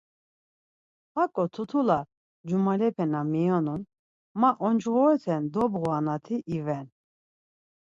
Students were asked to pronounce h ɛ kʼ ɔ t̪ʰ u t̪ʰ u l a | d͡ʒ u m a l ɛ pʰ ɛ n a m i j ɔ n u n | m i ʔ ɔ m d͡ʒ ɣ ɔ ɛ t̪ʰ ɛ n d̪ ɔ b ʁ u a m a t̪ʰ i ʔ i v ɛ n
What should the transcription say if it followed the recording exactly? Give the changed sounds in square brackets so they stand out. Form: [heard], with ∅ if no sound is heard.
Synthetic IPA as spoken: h [a] kʼ ɔ t̪ʰ u t̪ʰ u l a | d͡ʒ u m a l ɛ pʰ ɛ n a m i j ɔ n u n | m [a] ʔ ɔ [n] d͡ʒ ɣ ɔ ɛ t̪ʰ ɛ n d̪ ɔ b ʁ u a [n] a t̪ʰ i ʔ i v ɛ n